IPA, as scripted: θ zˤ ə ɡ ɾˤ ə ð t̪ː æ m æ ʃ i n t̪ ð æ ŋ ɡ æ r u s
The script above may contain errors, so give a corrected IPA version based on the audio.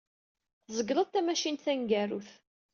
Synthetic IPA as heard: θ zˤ ə ɡ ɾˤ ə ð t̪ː æ m æ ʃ i n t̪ θ æ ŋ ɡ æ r u θ

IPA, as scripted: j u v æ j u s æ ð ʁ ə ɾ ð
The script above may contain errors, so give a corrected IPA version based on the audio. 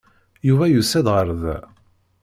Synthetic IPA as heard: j u v æ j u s æ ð ʁ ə ɾ ð

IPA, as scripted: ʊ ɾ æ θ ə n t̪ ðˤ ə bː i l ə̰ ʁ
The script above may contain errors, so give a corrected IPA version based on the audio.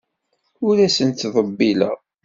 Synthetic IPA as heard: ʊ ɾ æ s ə n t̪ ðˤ ə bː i l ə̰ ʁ

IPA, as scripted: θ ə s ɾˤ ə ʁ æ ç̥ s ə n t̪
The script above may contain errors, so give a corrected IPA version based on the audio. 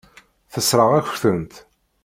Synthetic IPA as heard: θ ə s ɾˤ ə ʁ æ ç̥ θ ə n t̪

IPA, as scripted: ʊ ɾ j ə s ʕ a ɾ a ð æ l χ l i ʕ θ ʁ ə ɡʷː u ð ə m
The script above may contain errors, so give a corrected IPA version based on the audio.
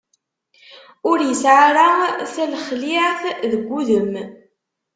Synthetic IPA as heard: ʊ ɾ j ə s ʕ a ɾ a θ æ l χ l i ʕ θ ð ə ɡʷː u ð ə m

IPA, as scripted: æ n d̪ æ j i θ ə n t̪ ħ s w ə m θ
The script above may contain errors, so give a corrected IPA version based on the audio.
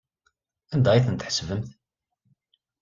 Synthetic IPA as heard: æ n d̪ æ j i θ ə n t̪ ħ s v ə m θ

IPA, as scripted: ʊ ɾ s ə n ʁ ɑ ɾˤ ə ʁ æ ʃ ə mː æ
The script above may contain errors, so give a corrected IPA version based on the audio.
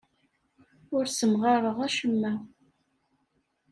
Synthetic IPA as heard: ʊ ɾ s ə m ʁ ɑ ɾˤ ə ʁ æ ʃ ə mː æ

